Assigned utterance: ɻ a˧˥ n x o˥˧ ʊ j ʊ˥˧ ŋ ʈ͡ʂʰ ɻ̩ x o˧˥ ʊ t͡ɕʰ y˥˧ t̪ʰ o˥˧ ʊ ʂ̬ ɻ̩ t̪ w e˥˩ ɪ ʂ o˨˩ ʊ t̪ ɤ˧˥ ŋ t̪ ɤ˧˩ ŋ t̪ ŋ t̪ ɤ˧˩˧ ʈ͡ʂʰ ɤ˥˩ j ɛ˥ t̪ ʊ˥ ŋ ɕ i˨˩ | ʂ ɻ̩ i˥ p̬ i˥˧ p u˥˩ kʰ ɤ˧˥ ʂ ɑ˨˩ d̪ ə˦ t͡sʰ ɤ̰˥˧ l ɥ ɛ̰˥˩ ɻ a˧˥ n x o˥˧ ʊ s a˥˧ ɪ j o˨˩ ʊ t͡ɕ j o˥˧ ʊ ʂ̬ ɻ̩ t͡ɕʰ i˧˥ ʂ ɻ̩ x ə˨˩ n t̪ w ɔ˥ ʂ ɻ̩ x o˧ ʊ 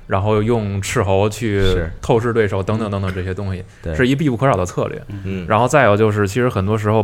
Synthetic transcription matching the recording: ɻ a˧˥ n x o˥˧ ʊ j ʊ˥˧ ŋ ʈ͡ʂʰ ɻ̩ x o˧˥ ʊ t͡ɕʰ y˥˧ t̪ʰ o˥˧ ʊ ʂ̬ ɻ̩ t̪ w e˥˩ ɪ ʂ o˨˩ ʊ t̪ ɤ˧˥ ŋ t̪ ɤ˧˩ ŋ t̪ ŋ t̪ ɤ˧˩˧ ʈ͡ʂ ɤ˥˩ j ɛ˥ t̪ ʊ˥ ŋ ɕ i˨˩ | ʂ ɻ̩ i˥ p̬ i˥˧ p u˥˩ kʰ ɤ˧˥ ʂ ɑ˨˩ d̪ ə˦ t͡sʰ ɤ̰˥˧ l ɥ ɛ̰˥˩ ɻ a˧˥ n x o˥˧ ʊ t͡s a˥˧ ɪ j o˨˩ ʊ t͡ɕ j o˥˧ ʊ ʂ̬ ɻ̩ t͡ɕʰ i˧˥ ʂ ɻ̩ x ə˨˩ n t̪ w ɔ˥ ʂ ɻ̩ x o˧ ʊ